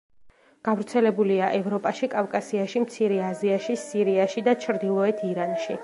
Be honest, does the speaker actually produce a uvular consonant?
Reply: no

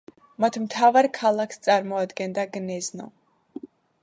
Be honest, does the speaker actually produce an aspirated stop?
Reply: yes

